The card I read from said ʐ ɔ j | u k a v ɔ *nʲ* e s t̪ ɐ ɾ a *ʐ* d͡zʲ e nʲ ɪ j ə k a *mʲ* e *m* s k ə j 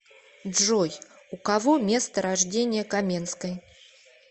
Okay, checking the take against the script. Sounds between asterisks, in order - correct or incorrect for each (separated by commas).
incorrect, correct, correct, incorrect